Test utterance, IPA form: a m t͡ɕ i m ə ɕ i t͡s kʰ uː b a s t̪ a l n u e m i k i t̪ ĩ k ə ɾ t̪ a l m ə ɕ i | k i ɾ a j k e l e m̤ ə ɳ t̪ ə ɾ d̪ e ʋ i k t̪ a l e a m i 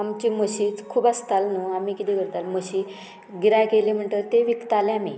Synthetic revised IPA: a m t͡ɕ i m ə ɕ i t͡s kʰ uː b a s t̪ a l n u a m i k i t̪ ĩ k ə ɾ t̪ a l m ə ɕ i | ɡ i ɾ a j k e l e m̤ ə ɳ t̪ ə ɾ t̪ e ʋ i k t̪ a l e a m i